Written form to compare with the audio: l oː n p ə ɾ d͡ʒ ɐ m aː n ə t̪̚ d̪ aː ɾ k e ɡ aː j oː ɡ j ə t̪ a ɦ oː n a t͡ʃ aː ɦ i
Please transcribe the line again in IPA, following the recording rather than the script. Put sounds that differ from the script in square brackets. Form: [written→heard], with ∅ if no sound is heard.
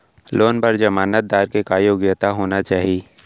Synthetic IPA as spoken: l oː n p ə ɾ d͡ʒ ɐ m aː n ə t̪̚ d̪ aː ɾ k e [ɡ→k] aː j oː ɡ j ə t̪ a ɦ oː n a t͡ʃ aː ɦ i